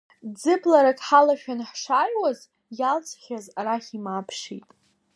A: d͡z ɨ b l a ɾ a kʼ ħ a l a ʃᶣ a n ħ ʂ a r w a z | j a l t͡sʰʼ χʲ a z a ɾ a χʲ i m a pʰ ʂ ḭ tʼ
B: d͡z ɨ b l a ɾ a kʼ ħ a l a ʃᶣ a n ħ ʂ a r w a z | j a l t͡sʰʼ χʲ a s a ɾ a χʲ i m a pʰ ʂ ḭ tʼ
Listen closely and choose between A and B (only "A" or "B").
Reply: A